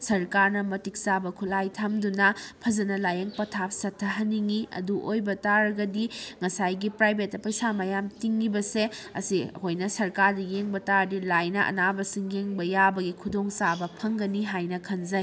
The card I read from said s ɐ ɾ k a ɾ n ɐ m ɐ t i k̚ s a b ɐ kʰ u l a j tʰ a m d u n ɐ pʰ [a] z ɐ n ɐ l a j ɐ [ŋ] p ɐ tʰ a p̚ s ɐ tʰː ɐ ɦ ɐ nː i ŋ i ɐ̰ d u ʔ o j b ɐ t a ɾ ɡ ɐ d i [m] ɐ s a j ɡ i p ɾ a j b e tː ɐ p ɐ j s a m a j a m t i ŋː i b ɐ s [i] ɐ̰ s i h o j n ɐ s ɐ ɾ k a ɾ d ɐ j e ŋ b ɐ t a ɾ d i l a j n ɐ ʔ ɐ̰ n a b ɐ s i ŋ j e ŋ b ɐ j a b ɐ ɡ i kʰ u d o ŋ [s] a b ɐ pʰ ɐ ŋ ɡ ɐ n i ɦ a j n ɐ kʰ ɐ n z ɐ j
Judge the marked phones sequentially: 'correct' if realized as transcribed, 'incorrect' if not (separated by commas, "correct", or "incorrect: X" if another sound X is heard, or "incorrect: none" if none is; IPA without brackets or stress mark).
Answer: incorrect: ɐ, correct, incorrect: ŋ, incorrect: e, correct